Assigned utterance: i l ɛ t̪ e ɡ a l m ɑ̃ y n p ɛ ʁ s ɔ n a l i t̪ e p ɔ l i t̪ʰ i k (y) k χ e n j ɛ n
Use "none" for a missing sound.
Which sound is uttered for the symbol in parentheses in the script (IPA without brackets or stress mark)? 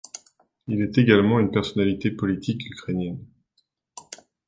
y